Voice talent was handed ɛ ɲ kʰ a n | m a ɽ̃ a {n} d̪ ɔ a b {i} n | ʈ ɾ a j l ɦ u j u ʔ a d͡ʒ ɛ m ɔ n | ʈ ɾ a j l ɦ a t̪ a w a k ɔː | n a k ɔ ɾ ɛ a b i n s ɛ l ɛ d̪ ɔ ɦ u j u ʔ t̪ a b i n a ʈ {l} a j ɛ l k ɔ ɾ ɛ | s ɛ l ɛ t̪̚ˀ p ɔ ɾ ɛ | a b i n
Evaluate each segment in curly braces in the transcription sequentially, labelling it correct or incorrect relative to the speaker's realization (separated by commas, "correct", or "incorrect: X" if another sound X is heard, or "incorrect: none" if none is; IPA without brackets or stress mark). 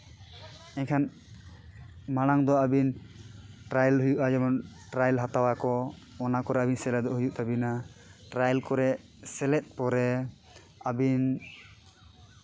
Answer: incorrect: ŋ, correct, incorrect: ɾ